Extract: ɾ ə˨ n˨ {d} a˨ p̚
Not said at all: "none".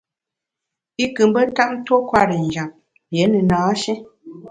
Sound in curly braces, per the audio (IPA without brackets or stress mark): d͡ʒ